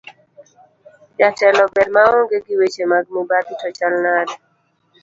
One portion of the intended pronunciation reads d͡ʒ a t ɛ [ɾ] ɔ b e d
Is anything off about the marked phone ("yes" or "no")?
yes